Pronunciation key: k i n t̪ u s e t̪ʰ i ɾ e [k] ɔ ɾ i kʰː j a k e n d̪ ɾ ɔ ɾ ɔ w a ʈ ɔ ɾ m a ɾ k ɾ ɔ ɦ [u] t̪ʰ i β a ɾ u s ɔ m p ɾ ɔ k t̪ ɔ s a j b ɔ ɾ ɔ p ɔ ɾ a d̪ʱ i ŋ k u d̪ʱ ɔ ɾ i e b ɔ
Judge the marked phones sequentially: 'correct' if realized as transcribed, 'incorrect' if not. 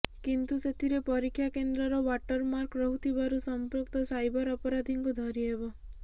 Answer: incorrect, correct

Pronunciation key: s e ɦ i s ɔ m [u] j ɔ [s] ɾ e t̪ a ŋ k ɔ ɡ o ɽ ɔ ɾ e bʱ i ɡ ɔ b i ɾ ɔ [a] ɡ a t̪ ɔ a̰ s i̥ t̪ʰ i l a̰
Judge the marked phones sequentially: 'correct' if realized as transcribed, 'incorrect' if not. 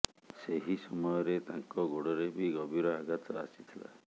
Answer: incorrect, incorrect, correct

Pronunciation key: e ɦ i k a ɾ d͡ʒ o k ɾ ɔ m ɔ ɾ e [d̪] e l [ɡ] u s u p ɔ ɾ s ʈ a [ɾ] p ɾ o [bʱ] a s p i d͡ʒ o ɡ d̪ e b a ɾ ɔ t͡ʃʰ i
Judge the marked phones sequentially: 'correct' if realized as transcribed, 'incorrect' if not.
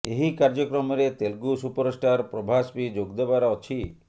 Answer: incorrect, correct, correct, correct

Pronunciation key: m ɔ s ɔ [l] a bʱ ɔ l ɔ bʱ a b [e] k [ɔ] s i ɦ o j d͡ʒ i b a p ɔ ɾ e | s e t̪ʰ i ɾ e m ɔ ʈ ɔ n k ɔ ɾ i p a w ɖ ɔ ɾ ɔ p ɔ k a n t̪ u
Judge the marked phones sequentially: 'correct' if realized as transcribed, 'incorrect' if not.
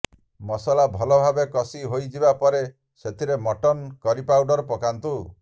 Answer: correct, correct, correct

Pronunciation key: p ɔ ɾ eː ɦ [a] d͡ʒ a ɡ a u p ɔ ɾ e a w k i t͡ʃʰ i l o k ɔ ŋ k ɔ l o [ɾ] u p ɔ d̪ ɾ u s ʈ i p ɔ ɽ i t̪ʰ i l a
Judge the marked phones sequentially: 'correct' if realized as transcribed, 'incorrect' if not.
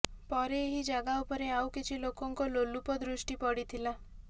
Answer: incorrect, incorrect

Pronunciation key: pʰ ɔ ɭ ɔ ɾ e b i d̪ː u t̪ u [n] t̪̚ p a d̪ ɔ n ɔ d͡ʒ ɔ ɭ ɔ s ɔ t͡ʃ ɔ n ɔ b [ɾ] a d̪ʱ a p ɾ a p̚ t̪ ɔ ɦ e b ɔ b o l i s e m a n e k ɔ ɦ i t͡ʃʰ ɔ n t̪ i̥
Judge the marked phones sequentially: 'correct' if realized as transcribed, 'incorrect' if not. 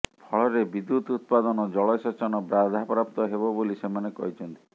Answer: incorrect, correct

